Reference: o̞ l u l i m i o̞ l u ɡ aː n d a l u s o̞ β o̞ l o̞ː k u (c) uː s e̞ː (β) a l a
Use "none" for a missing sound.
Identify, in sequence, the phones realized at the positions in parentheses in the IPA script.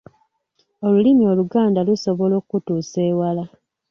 t, w

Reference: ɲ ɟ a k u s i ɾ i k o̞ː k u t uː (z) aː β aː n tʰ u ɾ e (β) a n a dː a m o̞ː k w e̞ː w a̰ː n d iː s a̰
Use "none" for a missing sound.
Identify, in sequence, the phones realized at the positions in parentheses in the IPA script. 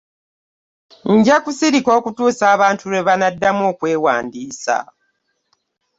s, β

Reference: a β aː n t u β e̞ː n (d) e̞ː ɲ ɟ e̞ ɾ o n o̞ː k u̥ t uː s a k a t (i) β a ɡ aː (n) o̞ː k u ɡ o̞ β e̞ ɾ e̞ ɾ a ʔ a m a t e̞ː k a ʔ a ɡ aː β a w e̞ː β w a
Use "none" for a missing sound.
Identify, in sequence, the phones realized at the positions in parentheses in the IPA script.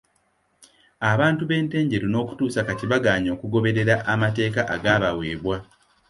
t, i, ɲ

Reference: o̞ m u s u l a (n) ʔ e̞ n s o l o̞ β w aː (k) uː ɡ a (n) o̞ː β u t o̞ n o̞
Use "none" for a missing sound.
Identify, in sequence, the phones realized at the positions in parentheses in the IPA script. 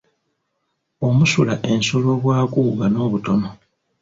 none, k, n

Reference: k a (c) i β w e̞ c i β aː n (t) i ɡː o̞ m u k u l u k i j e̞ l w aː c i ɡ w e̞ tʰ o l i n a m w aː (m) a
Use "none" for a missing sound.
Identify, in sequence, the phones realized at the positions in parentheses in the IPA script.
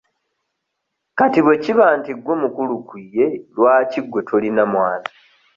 t, t, n

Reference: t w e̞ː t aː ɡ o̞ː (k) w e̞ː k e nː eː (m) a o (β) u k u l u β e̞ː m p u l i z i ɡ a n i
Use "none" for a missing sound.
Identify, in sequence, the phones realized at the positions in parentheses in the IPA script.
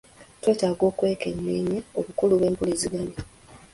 k, ɲ, β

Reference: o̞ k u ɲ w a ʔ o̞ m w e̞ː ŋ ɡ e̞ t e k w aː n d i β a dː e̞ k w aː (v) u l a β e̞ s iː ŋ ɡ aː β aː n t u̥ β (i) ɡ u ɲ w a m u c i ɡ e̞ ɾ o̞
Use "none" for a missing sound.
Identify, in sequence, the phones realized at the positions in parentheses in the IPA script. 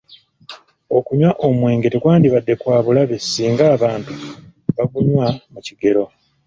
β, a

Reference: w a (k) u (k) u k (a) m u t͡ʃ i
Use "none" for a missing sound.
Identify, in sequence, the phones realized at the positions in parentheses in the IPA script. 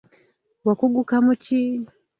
k, ɡ, a

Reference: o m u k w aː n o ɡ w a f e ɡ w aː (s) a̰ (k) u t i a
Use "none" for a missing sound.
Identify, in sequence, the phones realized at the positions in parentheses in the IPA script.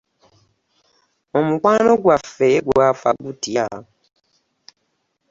f, ɡ

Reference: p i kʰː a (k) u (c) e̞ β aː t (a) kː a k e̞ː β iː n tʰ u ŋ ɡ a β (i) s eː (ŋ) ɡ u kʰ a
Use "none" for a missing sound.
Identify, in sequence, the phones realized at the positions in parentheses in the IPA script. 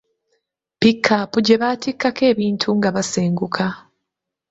p, ɟ, i, a, ŋ

